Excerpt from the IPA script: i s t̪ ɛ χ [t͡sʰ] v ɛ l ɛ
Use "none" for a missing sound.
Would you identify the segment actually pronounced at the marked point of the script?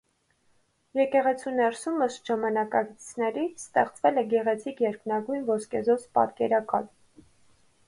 t͡s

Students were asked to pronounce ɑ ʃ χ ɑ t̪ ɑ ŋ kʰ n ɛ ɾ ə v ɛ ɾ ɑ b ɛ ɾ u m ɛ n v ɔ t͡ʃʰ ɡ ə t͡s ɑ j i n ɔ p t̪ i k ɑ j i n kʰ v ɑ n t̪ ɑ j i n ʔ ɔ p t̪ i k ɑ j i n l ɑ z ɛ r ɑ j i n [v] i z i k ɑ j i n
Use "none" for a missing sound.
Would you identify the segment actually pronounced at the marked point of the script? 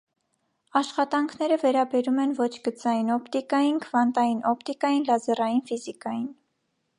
f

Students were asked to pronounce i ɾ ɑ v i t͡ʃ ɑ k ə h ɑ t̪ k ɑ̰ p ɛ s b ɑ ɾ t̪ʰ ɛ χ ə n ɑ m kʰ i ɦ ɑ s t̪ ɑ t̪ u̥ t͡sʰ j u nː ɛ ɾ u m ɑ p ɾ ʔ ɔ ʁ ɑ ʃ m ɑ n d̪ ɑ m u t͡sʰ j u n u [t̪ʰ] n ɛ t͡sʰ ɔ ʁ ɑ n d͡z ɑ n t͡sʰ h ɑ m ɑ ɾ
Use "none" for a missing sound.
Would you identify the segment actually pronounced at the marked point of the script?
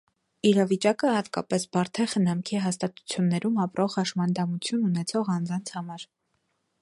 none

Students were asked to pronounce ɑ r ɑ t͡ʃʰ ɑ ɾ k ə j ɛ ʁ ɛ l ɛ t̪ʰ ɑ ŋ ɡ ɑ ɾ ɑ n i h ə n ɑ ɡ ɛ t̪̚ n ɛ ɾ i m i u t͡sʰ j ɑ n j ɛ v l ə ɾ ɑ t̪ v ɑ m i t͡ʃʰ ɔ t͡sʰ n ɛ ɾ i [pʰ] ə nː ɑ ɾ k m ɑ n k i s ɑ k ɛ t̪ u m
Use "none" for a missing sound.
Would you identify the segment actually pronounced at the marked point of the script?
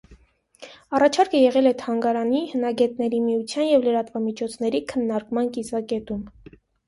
kʰ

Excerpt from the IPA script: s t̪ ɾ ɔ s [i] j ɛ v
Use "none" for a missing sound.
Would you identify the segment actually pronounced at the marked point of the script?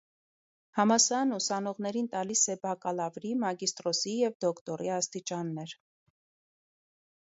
i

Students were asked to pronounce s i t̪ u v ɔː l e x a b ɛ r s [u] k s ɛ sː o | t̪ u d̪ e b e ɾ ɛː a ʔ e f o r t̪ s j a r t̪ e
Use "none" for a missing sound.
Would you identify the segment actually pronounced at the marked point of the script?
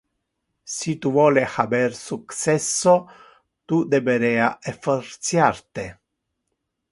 u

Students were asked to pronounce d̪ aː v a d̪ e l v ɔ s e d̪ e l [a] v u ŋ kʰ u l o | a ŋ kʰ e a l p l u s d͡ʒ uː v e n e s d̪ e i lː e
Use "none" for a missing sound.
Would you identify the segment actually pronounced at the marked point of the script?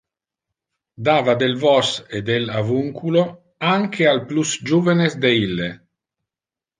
a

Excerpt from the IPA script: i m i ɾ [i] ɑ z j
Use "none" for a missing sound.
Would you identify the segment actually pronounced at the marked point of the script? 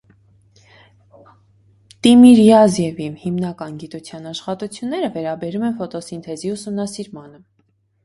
j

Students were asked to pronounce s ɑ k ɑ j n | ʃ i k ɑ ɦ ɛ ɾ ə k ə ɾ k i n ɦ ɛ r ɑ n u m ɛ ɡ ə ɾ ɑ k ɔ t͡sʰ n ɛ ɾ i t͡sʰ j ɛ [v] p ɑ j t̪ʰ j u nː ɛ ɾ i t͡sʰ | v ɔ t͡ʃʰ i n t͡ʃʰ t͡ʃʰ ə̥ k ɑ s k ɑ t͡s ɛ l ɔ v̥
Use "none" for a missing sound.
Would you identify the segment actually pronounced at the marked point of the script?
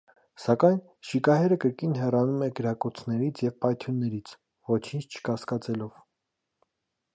v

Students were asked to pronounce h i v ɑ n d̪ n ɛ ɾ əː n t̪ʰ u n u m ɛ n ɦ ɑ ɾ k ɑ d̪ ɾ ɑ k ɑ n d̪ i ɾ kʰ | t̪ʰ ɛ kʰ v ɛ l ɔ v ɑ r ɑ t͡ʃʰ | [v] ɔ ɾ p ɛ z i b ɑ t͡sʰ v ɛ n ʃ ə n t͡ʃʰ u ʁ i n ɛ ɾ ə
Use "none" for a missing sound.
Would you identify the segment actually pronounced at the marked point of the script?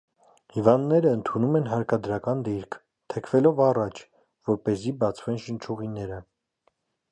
v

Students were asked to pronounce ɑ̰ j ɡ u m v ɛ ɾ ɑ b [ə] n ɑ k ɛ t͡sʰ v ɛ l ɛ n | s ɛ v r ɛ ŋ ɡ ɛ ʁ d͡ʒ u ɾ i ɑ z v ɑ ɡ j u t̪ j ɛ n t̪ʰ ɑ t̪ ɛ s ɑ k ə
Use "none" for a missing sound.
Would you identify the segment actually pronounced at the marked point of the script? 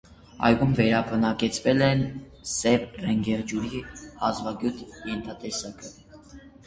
ə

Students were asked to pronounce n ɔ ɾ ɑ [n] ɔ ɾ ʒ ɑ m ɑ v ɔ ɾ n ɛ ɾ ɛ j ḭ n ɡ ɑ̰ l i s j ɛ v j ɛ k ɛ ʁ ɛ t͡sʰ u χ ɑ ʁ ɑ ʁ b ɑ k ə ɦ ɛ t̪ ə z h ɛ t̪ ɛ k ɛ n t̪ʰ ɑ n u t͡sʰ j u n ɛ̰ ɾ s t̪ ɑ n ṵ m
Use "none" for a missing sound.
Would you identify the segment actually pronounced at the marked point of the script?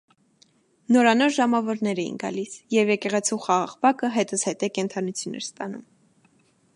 n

